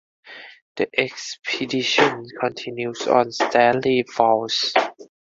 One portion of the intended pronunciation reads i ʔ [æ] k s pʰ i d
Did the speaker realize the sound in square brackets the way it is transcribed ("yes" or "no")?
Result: no